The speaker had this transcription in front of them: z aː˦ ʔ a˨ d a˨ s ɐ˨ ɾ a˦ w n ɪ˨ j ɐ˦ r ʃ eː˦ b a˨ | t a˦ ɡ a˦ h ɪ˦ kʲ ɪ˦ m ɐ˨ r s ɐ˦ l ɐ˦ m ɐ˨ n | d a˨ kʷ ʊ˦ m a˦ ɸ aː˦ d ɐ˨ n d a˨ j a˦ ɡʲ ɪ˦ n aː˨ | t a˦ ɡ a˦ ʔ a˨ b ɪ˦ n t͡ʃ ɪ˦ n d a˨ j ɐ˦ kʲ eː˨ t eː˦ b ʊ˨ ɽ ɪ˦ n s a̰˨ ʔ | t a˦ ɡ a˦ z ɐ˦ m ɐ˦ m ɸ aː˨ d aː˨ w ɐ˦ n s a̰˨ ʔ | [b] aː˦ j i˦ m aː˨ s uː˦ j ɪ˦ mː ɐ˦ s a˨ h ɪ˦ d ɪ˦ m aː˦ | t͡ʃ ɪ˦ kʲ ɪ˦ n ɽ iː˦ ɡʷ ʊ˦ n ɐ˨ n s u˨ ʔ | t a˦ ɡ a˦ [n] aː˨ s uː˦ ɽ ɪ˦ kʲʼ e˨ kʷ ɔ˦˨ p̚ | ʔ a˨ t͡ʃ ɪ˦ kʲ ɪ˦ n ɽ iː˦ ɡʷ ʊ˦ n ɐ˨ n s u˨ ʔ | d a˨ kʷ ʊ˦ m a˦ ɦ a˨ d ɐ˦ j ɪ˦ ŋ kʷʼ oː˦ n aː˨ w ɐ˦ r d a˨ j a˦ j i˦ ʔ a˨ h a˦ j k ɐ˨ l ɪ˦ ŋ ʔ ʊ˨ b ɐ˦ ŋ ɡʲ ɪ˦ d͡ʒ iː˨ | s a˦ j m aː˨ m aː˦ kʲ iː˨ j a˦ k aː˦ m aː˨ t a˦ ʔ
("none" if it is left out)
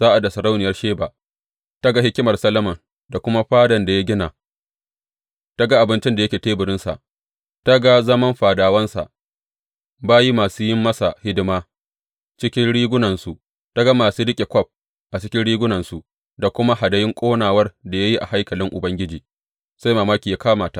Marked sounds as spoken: b, m

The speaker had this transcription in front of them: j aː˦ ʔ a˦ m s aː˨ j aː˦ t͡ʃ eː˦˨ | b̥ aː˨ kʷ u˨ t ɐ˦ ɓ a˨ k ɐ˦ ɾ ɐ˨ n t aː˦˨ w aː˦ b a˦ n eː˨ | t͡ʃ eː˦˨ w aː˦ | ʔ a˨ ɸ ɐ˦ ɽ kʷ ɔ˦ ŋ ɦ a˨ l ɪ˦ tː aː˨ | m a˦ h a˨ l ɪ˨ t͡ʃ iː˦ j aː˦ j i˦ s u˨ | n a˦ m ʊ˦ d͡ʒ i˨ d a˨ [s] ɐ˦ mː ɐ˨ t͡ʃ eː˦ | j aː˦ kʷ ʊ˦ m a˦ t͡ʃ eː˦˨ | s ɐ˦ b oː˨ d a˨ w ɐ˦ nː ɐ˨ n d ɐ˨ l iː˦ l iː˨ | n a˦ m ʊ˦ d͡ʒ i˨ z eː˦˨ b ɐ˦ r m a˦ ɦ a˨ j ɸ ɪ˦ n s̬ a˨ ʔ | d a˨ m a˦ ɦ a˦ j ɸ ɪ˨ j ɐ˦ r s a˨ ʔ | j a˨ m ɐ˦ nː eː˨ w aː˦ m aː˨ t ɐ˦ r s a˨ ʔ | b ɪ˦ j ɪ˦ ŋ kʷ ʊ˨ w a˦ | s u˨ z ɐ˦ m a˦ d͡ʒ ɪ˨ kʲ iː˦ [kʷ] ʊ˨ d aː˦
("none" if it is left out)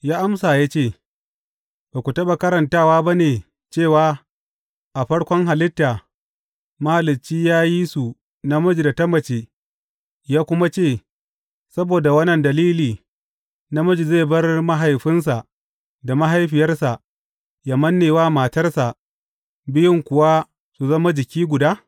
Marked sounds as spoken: t, ɡʷ

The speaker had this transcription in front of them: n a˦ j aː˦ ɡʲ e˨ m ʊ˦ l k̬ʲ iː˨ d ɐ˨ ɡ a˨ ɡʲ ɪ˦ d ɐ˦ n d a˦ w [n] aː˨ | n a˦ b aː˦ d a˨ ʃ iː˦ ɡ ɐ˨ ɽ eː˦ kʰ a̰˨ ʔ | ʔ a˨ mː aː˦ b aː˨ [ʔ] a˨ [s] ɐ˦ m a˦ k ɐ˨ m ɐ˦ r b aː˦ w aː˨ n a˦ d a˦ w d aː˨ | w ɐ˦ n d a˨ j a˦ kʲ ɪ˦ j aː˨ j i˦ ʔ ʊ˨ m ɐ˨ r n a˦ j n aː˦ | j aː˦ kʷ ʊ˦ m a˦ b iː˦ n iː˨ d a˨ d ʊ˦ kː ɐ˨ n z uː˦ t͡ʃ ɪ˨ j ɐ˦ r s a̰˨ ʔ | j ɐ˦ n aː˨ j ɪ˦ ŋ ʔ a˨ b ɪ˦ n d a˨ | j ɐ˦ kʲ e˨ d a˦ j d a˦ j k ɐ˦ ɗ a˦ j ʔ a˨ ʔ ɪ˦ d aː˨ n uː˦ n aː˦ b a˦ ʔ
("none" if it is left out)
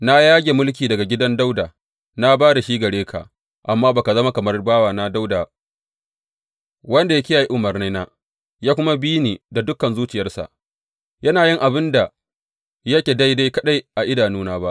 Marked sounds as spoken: d, k, z

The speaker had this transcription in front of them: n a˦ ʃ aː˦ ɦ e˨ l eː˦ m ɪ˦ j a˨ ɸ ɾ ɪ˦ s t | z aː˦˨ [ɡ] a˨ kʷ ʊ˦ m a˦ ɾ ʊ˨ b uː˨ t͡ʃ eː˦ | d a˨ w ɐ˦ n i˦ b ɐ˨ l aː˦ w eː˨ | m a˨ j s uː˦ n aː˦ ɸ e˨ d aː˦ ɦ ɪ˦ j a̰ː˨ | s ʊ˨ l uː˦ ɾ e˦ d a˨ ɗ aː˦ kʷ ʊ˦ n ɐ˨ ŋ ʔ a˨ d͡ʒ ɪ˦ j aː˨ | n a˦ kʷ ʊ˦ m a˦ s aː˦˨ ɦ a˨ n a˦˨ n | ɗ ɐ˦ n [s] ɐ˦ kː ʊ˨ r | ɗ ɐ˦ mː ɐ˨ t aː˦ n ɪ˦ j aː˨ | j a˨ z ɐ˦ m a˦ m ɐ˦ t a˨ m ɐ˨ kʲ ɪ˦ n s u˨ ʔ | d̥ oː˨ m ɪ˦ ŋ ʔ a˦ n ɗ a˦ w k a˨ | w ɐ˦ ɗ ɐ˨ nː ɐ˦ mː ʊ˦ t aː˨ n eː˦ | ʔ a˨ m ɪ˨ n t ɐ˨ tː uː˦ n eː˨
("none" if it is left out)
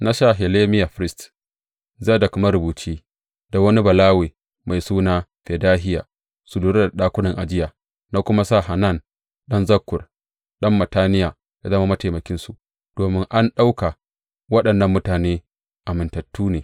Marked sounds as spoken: d, z

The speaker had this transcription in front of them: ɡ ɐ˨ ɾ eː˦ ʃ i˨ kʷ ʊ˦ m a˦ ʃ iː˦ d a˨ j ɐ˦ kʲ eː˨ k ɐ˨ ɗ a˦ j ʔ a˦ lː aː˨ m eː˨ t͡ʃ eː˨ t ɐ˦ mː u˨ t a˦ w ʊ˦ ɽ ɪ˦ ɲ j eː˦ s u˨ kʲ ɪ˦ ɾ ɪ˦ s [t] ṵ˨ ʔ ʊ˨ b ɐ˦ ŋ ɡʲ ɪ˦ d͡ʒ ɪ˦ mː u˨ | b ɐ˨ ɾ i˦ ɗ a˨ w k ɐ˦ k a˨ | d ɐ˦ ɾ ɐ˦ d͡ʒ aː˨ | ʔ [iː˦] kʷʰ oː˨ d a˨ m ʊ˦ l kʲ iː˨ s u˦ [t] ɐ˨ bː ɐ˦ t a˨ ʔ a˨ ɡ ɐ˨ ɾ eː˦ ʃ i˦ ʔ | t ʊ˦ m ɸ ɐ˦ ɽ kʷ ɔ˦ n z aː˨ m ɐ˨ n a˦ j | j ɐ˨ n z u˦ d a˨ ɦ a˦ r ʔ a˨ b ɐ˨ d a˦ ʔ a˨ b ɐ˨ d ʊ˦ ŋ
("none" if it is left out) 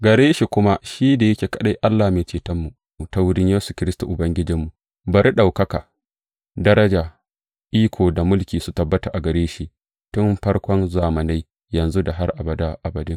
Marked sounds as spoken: t, iː˦, t

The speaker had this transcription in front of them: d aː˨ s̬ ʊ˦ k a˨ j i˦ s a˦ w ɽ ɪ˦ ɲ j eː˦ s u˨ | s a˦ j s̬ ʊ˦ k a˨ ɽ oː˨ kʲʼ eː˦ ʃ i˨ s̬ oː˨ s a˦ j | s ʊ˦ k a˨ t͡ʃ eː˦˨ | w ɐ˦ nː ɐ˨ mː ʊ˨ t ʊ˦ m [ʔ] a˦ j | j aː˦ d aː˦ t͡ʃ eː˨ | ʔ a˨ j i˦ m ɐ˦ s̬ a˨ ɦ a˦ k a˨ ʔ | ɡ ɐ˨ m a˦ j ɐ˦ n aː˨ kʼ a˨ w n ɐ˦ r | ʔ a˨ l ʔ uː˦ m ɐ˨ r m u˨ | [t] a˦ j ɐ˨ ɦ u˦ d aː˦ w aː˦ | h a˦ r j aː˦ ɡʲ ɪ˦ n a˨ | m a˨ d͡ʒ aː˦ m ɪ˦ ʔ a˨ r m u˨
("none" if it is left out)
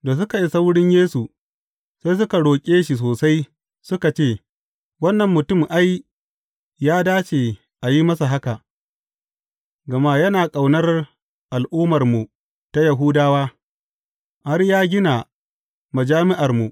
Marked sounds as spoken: ʔ, t

